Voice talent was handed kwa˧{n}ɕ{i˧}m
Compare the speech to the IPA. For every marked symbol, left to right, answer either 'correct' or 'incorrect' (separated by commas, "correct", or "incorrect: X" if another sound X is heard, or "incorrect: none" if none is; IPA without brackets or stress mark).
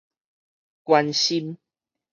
correct, correct